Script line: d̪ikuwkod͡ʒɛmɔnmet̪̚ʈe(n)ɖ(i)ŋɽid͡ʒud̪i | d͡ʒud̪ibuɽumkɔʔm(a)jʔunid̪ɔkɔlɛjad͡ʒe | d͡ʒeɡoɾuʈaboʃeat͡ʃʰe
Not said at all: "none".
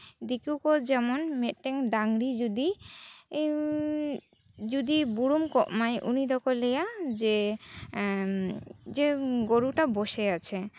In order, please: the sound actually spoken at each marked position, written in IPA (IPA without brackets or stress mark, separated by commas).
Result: ŋ, a, a